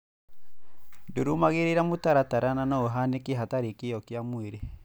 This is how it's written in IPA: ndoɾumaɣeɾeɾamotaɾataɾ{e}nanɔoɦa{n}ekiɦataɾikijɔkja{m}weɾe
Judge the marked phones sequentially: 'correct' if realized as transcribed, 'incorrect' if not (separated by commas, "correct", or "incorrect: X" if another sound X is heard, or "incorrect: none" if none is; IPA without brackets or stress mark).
incorrect: a, correct, correct